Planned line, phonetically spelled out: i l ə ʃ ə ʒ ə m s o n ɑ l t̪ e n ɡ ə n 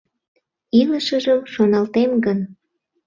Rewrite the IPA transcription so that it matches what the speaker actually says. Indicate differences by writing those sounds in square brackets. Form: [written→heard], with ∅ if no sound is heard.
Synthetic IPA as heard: i l ə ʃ ə ʒ ə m [s→ʃ] o n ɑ l t̪ e [n→m] ɡ ə n